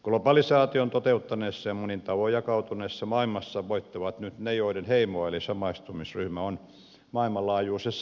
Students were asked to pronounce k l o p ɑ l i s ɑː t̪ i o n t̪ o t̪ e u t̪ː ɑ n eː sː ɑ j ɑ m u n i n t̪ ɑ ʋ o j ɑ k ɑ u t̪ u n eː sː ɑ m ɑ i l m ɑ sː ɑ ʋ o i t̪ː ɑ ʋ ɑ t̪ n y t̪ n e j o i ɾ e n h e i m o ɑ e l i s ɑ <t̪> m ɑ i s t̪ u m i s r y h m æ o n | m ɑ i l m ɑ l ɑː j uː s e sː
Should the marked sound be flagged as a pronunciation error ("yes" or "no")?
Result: yes